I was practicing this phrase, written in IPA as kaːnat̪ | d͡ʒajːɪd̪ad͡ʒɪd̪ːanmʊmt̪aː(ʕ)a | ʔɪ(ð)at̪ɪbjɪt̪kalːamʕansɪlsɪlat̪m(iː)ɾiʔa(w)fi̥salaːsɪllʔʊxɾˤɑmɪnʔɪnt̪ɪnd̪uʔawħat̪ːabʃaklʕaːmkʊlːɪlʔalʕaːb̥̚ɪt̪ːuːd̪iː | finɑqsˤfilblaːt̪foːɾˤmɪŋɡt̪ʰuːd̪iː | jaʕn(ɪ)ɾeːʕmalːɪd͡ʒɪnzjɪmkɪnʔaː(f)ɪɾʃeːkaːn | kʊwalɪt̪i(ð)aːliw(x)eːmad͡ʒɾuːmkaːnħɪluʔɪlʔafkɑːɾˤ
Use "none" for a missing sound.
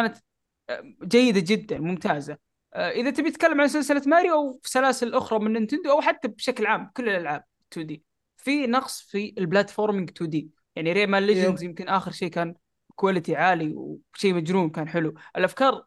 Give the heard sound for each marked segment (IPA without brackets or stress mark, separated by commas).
z, ð, aː, w, i, x, ʕ, ʃ